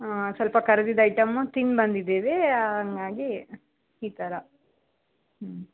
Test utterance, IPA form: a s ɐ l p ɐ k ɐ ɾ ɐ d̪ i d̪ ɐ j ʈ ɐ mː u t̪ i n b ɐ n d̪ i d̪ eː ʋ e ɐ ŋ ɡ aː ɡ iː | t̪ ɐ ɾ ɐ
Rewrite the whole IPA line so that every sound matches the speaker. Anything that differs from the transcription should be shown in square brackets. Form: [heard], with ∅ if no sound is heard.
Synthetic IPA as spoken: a s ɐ l p ɐ k ɐ ɾ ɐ d̪ i d̪ ɐ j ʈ ɐ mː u t̪ i n b ɐ n d̪ i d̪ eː ʋ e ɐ ŋ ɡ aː ɡ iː | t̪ ɐ ɾ ɐ